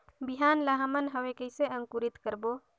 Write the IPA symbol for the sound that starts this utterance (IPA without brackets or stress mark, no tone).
b